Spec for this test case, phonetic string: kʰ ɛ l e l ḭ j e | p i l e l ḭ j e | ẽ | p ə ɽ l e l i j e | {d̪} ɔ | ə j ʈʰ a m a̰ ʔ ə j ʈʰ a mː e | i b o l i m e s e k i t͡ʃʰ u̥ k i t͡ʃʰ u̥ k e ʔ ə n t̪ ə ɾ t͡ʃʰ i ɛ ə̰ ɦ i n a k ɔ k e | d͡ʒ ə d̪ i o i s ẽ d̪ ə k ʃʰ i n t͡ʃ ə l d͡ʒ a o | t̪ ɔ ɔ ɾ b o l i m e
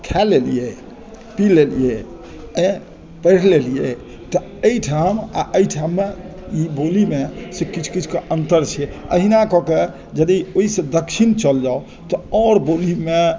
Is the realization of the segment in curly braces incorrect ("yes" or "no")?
yes